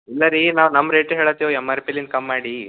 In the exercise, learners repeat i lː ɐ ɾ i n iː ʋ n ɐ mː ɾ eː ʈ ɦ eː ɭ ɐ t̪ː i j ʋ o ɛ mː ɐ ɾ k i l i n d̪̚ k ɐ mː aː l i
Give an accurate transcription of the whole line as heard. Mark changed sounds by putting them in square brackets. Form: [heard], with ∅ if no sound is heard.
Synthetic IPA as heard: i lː ɐ ɾ i n [aː] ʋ n ɐ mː ɾ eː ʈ ɦ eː ɭ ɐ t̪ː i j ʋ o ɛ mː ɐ ɾ [p] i l i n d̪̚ k ɐ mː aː [ɽ] i

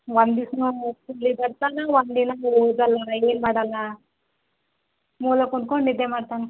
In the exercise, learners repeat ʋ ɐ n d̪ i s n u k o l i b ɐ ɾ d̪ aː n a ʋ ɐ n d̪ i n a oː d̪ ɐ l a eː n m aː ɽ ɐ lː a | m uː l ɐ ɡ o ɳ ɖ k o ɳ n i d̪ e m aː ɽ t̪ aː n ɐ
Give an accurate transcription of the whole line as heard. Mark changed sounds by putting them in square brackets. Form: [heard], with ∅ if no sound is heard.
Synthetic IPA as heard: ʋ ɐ n d̪ i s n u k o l i b ɐ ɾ [t̪] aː n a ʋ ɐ n d̪ i n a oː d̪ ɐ l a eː n m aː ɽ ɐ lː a | m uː l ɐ [k] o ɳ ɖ k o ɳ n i d̪ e m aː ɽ t̪ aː n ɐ

